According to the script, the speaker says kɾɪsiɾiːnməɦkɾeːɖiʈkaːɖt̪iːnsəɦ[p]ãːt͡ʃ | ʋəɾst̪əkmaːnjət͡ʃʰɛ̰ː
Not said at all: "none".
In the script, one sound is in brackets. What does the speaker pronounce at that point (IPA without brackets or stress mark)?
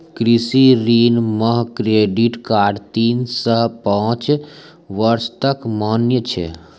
p